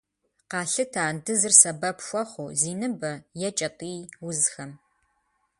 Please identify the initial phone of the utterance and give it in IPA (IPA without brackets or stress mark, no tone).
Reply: q